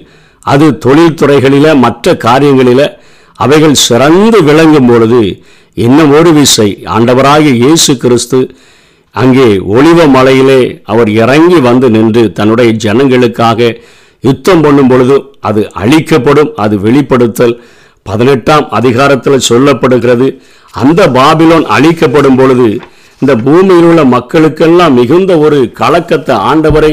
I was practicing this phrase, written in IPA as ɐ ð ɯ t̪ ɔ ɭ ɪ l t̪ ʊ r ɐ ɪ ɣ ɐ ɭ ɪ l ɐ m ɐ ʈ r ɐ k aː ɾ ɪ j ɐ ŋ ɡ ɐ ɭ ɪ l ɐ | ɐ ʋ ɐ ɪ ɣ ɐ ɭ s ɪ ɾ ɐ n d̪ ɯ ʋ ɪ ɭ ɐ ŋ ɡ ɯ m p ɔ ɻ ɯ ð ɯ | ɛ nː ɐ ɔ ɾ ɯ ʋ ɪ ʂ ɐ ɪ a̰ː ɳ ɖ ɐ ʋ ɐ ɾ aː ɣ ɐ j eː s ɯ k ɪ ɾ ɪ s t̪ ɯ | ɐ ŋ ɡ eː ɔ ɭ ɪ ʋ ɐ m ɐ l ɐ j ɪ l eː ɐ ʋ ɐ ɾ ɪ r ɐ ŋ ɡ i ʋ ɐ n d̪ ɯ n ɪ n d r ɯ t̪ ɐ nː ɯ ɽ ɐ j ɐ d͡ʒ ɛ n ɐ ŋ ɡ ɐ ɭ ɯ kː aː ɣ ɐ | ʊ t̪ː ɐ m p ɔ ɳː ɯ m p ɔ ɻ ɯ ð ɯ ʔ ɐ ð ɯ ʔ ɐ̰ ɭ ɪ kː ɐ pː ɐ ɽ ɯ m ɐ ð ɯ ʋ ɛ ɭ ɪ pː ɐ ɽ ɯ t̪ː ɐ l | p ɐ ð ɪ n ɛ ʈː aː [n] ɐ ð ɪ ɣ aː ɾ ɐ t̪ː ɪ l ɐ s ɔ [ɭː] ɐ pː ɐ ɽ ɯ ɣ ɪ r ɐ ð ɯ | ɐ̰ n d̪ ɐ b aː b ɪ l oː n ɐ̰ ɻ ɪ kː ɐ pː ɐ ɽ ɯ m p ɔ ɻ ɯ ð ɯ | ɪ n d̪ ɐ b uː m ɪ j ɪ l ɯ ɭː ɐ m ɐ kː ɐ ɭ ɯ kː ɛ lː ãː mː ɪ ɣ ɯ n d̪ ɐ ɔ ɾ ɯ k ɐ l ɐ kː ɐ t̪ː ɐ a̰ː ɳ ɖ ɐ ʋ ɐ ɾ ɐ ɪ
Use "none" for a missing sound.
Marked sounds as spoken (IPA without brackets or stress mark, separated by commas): m, lː